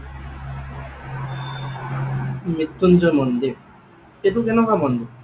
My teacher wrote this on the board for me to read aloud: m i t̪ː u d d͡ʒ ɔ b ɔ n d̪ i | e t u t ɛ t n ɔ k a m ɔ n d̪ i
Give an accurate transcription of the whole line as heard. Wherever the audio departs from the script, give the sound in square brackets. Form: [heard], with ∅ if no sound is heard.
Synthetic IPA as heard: m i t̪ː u [n] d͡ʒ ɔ [m] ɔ n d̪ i | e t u [k] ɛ [∅] n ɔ k a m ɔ n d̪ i

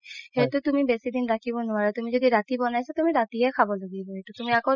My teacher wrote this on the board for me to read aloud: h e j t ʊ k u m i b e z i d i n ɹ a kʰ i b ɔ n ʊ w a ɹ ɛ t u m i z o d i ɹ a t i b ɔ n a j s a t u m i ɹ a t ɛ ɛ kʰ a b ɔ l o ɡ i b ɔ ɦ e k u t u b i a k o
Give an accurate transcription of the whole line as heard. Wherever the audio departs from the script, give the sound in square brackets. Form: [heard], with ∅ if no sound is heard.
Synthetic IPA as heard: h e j t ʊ [t] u m i b e [s] i d i n ɹ a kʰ i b ɔ n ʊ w a ɹ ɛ t u m i z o d i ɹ a t i b ɔ n a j s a t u m i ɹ a t [i] ɛ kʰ a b ɔ l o ɡ i b ɔ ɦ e [t] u t u [m] i a k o

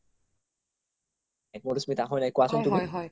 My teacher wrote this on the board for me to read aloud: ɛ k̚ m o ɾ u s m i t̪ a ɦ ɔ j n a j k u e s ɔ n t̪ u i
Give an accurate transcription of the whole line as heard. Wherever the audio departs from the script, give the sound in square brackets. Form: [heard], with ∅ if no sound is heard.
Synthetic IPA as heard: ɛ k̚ m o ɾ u s m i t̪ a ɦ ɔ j n a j k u [a] s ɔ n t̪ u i

